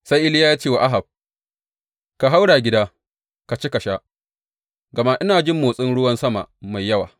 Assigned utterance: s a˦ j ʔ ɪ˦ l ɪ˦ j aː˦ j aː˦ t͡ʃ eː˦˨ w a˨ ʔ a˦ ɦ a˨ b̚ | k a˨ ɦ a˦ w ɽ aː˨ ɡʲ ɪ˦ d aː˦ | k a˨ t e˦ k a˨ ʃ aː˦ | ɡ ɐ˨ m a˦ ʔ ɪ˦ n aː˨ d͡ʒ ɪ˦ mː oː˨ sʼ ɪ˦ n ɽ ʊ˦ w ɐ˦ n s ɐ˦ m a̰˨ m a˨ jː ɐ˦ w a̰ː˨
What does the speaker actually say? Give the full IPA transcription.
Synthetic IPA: s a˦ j ʔ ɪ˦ l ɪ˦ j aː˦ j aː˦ t͡ʃ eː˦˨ w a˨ ʔ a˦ ɦ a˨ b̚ | k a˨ ɦ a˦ w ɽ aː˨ ɡʲ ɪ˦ d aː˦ | k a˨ t͡ʃ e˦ k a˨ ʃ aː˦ | ɡ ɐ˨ m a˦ ʔ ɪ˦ n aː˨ d͡ʒ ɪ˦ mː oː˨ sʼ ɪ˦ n ɽ ʊ˦ w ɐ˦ n s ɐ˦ m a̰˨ m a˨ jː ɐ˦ w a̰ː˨